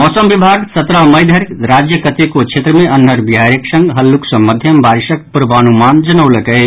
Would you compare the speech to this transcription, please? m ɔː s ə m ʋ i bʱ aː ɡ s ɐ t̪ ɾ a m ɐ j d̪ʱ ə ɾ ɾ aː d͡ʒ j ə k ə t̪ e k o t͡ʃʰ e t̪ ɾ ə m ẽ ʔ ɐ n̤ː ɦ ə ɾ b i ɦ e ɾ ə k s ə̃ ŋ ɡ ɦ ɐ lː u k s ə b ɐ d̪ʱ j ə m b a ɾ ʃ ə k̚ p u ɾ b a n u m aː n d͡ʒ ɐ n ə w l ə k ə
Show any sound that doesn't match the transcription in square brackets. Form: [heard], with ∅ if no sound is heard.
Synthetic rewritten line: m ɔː s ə m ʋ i bʱ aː ɡ s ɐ t̪ ɾ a m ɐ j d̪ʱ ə ɾ ɾ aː d͡ʒ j ə k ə t̪ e k o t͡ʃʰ e t̪ ɾ ə m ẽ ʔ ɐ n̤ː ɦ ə ɾ b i ɦ [a] ɾ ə k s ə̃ ŋ ɡ ɦ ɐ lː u k s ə [m] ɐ d̪ʱ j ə m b a ɾ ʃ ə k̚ p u ɾ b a n u m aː n d͡ʒ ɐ n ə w l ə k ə

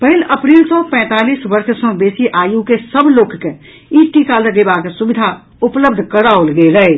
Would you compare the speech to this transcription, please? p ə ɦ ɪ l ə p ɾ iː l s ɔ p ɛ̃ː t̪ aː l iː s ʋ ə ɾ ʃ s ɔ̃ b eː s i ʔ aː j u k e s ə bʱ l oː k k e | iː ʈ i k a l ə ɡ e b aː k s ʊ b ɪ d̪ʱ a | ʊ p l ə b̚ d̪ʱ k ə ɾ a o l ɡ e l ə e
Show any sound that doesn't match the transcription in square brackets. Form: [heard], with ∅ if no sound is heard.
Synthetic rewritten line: p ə ɦ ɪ l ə p ɾ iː l s ɔ p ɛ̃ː t̪ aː l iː s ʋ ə ɾ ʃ s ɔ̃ b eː s i ʔ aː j u k e s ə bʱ l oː k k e | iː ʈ i k a l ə ɡ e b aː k s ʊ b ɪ d̪ʱ a | ʊ p l ə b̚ d̪ʱ k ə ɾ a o l ɡ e l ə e

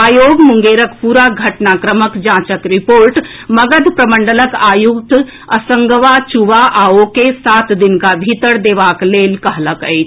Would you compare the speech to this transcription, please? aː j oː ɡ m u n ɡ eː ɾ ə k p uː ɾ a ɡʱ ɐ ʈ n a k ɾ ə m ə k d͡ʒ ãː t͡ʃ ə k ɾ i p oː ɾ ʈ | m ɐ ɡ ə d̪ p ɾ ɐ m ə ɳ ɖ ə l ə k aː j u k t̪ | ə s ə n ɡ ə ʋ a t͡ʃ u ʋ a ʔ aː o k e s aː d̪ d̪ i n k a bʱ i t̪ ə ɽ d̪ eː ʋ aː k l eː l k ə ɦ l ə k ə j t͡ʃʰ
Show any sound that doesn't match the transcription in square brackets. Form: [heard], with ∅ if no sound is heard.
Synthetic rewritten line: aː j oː ɡ m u [ŋ] ɡ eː ɾ ə k p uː ɾ a ɡʱ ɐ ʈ n a k ɾ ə m ə k d͡ʒ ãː t͡ʃ ə k ɾ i p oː ɾ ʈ | m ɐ ɡ ə d̪ p ɾ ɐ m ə ɳ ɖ ə l ə k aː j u k t̪ | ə s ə [ŋ] ɡ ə ʋ a t͡ʃ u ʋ a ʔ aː o k e s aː [t̪] d̪ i n k a bʱ i t̪ ə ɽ d̪ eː ʋ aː k l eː l k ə ɦ l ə k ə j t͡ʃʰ

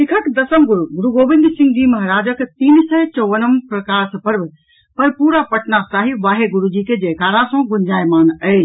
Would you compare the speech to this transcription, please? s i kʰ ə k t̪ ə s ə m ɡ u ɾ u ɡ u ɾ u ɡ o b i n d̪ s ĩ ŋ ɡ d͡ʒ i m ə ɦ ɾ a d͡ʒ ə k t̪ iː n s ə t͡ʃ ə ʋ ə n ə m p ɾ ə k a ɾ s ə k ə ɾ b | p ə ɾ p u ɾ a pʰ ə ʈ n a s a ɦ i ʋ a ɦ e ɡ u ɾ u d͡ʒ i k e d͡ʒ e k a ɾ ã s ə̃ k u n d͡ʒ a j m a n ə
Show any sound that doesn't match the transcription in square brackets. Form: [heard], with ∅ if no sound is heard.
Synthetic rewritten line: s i kʰ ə k [d̪] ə s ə m ɡ u ɾ u ɡ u ɾ u ɡ o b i n d̪ s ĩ ŋ ɡ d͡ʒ i m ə ɦ ɾ a d͡ʒ ə k t̪ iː n s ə t͡ʃ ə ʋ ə n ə m p ɾ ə k a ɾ s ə [p] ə ɾ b | p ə ɾ p u ɾ a [p] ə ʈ n a s a ɦ i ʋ a ɦ e ɡ u ɾ u d͡ʒ i k e d͡ʒ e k a ɾ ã s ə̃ [ɡ] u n d͡ʒ a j m a n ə

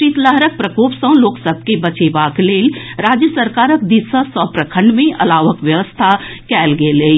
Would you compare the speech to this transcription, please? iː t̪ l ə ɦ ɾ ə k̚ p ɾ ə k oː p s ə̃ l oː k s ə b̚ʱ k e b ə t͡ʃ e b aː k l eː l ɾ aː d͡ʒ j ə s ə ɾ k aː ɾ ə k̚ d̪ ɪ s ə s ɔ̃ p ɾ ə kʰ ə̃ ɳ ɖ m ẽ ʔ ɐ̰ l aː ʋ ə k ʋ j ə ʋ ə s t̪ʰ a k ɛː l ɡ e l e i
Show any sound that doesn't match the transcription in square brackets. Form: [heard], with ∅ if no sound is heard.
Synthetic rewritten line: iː t̪ l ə ɦ ɾ ə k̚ p ɾ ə k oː p s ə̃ l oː k s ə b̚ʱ k e b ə t͡ʃ e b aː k l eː l ɾ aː d͡ʒ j ə s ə ɾ k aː ɾ ə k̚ d̪ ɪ s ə s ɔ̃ p ɾ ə kʰ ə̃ ɳ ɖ m ẽ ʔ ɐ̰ l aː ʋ ə k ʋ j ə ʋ ə s t̪ʰ a k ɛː l ɡ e l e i

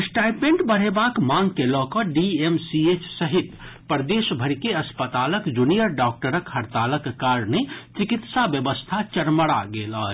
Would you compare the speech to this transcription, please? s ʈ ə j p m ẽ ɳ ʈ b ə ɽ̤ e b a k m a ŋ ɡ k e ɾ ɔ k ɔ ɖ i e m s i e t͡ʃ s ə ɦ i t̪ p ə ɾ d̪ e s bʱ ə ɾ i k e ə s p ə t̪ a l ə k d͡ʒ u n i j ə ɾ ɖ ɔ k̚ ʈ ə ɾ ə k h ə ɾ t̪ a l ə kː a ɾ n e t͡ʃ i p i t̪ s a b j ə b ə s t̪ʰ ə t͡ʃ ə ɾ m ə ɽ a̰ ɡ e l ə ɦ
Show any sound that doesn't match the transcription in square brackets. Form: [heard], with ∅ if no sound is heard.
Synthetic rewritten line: s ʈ [a] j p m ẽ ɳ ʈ b ə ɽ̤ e b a k m a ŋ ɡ k e [l] ɔ k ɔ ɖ i e m s i e t͡ʃ s ə ɦ i t̪ p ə ɾ d̪ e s bʱ ə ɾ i k e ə s p ə t̪ a l ə k d͡ʒ u n i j ə ɾ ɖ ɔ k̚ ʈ ə ɾ ə k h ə ɾ t̪ a l ə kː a ɾ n e t͡ʃ i [k] i t̪ s a b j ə b ə s t̪ʰ [a] t͡ʃ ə ɾ m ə ɽ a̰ ɡ e l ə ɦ

